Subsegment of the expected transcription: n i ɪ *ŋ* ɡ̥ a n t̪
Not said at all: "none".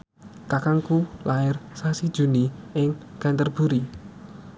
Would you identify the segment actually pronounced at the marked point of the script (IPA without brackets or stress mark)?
ŋ